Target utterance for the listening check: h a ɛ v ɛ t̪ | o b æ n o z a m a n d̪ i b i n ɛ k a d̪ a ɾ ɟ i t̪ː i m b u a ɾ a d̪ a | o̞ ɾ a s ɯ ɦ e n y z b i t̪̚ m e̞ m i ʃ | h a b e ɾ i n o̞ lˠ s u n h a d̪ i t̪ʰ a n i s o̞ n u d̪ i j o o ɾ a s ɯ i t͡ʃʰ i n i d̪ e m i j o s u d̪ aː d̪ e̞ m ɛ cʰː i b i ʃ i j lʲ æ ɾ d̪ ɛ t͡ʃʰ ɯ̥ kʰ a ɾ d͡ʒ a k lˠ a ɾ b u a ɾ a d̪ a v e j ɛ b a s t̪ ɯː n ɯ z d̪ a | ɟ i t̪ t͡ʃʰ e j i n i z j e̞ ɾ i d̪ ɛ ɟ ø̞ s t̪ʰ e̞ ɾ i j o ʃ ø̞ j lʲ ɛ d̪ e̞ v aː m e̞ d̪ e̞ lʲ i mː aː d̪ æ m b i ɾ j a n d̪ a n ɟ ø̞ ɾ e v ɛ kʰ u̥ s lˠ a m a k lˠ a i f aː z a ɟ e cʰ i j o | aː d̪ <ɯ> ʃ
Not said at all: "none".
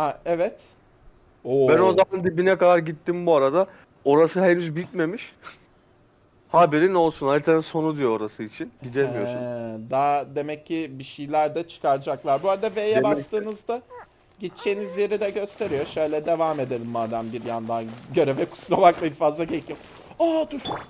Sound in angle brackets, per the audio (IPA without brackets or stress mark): u